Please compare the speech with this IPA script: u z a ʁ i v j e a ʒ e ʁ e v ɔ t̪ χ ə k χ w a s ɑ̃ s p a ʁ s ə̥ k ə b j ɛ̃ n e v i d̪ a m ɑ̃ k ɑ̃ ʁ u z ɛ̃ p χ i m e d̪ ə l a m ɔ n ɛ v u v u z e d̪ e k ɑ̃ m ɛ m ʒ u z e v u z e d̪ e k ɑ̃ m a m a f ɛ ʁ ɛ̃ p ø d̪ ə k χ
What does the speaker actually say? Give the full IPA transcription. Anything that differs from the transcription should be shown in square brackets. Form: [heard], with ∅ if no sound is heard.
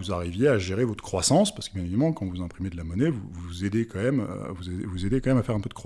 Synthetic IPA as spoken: u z a ʁ i v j e a ʒ e ʁ e v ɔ t̪ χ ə k χ w a s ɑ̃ s p a ʁ s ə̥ k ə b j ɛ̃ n e v i d̪ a m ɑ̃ k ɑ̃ [v] u z ɛ̃ p χ i m e d̪ ə l a m ɔ n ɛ v u v u z e d̪ e k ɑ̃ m ɛ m [v] u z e v u z e d̪ e k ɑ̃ m [ɛ] m a f ɛ ʁ ɛ̃ p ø d̪ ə k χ

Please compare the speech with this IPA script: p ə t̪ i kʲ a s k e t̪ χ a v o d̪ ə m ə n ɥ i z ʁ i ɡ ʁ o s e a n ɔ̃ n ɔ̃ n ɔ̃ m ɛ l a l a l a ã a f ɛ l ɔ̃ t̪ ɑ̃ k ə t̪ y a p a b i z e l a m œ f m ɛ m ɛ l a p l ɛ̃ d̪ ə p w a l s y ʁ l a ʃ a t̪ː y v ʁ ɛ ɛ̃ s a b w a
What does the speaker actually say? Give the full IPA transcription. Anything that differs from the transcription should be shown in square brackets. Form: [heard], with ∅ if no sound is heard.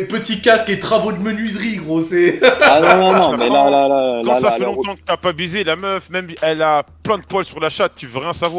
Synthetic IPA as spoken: p ə t̪ i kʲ a s k e t̪ χ a v o d̪ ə m ə n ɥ i z ʁ i ɡ ʁ o s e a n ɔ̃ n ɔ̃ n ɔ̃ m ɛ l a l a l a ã a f ɛ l ɔ̃ t̪ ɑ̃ k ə t̪ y a p a b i z e l a m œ f m ɛ m ɛ l a p l ɛ̃ d̪ ə p w a l s y ʁ l a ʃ a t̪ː y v ʁ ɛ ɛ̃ s a [v] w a

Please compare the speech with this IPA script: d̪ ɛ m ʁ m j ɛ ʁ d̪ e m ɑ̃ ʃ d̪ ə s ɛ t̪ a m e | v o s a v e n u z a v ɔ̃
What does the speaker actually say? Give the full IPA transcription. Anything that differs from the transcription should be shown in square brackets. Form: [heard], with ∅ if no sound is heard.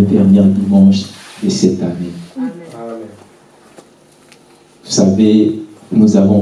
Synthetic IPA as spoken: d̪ ɛ [∅] ʁ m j ɛ ʁ d̪ [i] m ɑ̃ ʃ d̪ ə s ɛ t̪ a [n] e | v [u] s a v e n u z a v ɔ̃

